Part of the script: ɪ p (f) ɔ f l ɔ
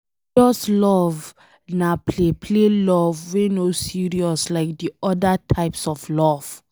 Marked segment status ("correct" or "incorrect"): incorrect